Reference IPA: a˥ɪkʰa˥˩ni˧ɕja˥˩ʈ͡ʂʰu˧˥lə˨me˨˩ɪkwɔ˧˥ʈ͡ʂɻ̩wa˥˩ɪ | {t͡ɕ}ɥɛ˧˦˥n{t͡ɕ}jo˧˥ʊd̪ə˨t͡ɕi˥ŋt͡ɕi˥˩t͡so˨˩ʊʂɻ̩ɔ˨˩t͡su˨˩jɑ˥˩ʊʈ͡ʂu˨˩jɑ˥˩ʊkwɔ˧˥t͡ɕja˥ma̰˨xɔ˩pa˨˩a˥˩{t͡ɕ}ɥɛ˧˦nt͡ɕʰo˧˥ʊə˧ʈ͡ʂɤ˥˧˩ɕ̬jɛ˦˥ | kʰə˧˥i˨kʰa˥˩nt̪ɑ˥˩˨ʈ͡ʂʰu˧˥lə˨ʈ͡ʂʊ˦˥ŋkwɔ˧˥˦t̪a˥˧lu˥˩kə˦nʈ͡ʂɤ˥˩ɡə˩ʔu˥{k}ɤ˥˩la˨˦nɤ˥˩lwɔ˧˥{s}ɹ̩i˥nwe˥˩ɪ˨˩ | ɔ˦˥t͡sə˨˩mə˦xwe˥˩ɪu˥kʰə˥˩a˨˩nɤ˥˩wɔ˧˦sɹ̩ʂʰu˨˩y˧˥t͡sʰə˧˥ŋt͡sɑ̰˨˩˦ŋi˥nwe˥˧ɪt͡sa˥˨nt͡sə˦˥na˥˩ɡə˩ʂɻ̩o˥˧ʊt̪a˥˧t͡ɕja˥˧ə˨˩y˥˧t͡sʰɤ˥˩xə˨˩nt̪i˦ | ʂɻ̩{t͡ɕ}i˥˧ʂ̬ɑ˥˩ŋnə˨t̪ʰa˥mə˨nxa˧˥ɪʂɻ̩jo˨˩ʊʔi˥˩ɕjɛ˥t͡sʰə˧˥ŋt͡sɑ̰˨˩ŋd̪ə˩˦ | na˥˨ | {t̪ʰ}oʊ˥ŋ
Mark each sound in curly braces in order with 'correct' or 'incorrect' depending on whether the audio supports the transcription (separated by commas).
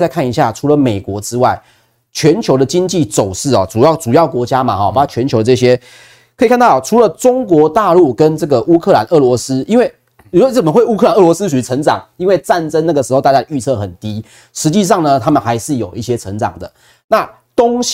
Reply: incorrect, incorrect, incorrect, incorrect, correct, correct, incorrect